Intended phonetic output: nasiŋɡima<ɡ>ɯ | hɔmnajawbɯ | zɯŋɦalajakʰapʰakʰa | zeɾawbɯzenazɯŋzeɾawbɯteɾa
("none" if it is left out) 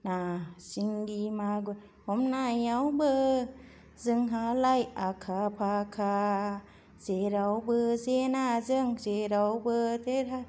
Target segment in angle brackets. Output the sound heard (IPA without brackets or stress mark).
ɡ